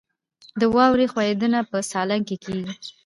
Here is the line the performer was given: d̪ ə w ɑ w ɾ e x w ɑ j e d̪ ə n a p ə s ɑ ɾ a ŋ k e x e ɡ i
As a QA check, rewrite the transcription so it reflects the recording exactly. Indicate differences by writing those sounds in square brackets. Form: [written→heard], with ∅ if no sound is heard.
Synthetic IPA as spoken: d̪ ə w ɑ w ɾ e x w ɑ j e d̪ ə n a p ə s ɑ [ɾ→l] a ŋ k e [x→k] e ɡ i